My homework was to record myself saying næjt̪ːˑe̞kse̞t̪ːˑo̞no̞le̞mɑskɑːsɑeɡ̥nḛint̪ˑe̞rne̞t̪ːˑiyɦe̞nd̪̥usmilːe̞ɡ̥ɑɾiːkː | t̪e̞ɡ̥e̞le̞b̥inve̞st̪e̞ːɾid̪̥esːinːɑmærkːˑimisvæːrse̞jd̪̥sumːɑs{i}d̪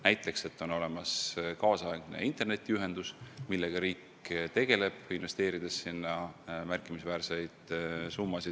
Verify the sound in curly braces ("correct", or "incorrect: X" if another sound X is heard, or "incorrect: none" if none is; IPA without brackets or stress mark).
correct